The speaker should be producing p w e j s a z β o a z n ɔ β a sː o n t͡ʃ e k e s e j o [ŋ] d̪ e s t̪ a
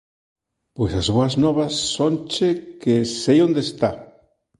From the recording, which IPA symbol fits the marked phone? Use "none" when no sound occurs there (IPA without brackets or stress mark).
n